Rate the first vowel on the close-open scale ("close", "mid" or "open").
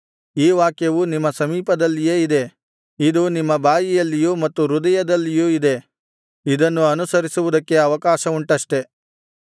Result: close